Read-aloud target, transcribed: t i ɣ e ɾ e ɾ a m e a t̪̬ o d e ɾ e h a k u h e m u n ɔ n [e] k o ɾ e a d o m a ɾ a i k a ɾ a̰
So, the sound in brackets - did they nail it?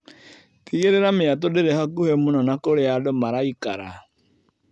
no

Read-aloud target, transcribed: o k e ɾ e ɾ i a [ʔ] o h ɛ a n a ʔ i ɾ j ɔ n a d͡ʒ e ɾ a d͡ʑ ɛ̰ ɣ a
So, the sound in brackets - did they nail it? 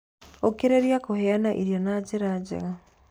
no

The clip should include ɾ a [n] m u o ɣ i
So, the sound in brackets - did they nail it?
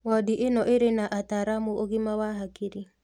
no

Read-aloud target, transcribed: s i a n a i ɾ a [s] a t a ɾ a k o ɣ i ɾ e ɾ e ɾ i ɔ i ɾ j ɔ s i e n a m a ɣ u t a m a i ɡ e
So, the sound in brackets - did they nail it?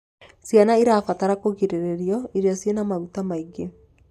no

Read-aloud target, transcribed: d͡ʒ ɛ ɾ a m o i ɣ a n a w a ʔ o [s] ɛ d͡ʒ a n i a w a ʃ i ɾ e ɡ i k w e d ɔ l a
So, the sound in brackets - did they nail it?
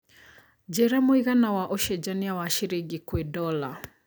no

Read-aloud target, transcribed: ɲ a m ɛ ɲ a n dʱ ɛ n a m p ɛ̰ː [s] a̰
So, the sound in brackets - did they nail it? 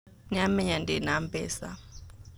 yes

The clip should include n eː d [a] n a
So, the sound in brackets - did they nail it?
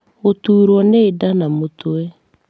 yes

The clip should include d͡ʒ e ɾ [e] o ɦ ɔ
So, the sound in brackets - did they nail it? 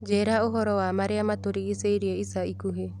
no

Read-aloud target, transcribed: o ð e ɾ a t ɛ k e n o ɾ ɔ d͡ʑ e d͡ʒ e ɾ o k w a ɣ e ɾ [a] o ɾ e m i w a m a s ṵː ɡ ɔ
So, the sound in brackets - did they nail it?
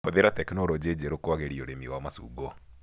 no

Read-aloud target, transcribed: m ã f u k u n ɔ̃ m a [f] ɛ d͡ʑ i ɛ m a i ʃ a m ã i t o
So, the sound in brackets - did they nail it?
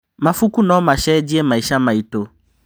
no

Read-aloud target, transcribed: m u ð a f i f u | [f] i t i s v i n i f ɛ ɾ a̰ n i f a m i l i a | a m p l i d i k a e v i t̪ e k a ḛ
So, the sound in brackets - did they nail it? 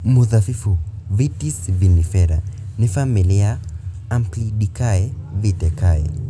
no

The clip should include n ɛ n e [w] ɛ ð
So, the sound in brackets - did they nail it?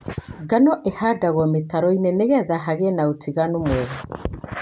no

